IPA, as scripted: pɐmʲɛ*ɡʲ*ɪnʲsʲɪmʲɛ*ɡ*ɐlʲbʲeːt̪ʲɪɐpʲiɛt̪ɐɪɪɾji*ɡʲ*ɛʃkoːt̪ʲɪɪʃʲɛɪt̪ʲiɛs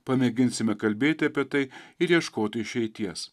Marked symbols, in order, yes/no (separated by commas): yes, no, no